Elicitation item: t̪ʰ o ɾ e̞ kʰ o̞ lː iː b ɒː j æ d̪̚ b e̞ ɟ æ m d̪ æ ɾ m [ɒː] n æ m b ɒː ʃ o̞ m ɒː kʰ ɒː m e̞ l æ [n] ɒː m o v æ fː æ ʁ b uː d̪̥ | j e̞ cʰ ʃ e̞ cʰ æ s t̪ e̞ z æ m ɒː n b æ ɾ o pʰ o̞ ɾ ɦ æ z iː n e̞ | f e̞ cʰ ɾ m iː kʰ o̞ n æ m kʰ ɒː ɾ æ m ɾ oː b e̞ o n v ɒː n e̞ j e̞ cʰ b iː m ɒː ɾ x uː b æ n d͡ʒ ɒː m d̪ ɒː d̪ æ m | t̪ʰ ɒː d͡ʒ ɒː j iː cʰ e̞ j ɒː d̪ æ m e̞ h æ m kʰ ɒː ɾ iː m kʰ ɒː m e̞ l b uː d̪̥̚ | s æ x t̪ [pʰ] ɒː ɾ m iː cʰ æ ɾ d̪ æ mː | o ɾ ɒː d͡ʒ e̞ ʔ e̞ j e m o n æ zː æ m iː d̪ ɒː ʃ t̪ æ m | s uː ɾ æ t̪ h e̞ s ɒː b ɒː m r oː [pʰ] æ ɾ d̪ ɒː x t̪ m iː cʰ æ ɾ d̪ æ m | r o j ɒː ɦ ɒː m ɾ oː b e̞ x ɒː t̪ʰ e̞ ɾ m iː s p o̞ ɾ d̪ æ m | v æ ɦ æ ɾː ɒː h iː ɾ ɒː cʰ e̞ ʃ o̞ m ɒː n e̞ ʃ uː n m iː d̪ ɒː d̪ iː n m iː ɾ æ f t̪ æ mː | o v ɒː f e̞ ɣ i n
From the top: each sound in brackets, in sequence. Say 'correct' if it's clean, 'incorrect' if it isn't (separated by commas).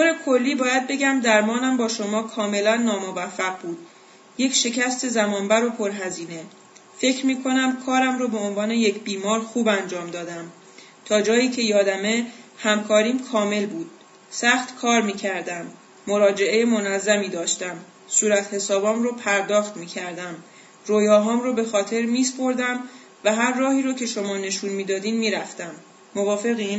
correct, incorrect, incorrect, correct